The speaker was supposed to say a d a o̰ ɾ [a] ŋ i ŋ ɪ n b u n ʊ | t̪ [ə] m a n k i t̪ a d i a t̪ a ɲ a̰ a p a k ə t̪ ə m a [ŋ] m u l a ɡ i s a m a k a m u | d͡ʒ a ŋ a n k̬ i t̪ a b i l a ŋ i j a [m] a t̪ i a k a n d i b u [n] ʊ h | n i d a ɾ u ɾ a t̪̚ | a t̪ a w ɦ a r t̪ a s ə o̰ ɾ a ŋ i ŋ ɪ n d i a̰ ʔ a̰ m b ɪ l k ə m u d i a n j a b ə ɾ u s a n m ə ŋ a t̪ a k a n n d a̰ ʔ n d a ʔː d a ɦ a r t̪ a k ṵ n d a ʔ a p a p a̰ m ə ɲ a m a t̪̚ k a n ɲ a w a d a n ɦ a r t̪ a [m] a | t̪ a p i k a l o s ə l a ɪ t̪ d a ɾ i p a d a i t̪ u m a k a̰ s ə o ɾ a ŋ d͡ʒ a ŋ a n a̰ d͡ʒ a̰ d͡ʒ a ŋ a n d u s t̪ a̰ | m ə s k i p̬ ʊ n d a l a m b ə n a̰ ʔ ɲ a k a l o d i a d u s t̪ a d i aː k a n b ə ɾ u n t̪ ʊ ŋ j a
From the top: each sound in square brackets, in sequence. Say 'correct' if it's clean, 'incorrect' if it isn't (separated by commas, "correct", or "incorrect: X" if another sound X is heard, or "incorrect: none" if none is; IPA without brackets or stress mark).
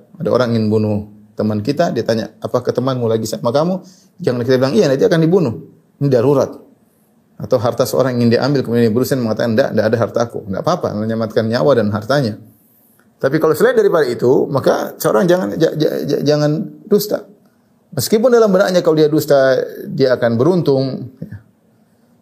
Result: correct, correct, incorrect: n, incorrect: n, correct, incorrect: ɲ